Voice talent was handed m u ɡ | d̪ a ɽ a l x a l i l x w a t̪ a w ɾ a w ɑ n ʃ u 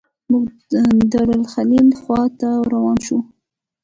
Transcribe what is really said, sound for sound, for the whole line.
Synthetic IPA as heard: m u ɡ | d̪ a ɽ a l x a l i l x w ɑ t̪ a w ɾ a w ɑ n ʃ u